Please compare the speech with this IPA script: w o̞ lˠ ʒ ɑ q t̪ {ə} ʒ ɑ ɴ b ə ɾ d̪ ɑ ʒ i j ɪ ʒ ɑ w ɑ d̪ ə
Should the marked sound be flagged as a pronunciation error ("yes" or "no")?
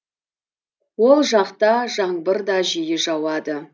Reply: yes